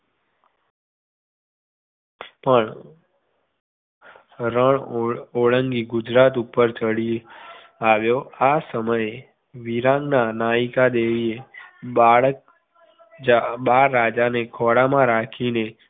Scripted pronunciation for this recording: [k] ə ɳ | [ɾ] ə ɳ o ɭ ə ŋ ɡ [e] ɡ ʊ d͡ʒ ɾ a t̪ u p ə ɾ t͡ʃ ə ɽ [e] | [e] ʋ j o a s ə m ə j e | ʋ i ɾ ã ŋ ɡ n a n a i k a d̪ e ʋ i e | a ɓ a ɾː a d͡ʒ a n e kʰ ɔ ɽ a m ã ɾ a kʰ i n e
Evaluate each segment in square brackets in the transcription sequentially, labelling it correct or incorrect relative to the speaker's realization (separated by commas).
incorrect, correct, incorrect, incorrect, incorrect